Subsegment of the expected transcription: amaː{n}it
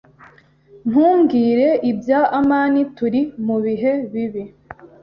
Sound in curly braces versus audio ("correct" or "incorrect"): correct